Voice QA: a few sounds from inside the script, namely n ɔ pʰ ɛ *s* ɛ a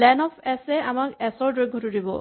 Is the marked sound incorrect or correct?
correct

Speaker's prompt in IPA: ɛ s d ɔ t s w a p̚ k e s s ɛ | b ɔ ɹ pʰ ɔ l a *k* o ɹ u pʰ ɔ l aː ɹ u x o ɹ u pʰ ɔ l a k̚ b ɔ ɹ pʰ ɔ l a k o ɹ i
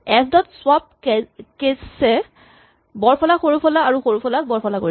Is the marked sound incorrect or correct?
incorrect: x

